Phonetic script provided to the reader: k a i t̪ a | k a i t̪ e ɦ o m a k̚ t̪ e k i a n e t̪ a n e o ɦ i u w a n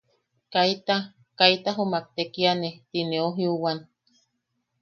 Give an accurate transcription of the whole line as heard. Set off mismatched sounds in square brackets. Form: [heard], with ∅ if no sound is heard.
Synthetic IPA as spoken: k a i t̪ a | k a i t̪ [a] ɦ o m a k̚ t̪ e k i a n e t̪ [i] n e o ɦ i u w a n